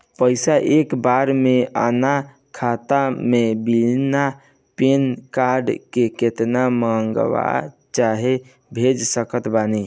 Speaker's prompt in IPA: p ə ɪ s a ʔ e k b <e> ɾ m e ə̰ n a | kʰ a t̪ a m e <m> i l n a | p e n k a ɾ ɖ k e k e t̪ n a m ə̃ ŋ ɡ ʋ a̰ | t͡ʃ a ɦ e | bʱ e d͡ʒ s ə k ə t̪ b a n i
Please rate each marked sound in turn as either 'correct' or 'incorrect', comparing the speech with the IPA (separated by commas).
incorrect, incorrect